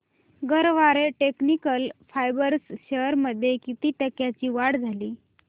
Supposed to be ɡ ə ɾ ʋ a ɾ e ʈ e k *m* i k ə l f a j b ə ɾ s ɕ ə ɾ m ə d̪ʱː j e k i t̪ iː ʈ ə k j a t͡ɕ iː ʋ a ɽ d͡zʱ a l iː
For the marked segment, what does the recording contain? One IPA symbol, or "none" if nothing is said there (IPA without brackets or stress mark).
n